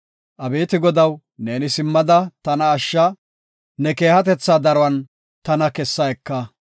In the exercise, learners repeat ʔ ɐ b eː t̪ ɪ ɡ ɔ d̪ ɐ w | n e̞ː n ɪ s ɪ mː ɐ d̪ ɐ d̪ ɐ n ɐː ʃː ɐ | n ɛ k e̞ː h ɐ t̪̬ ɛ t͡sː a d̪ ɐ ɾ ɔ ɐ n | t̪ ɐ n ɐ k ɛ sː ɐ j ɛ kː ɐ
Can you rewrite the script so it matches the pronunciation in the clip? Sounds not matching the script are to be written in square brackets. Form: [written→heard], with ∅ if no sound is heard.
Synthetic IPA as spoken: ʔ ɐ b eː t̪ ɪ ɡ ɔ d̪ ɐ w | n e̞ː n ɪ s ɪ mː ɐ d̪ ɐ [d̪→t̪] ɐ n ɐː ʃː ɐ | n ɛ k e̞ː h ɐ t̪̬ ɛ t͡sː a d̪ ɐ ɾ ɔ ɐ n | t̪ ɐ n ɐ k ɛ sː ɐ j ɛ kː ɐ